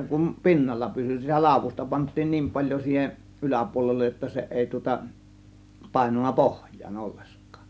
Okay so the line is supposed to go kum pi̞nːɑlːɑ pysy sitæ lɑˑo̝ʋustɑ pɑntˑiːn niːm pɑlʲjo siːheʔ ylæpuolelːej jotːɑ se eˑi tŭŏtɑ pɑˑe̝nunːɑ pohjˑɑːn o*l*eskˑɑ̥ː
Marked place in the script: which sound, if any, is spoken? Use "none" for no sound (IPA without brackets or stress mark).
lː